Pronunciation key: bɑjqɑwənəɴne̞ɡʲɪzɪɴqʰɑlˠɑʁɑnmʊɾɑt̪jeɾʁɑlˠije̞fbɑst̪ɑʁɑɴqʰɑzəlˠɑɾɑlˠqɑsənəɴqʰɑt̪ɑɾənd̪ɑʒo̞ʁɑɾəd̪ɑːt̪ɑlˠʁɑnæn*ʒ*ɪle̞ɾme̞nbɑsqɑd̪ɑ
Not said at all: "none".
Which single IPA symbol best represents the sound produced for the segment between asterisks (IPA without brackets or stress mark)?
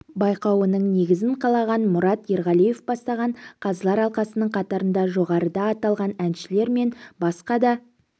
ʃ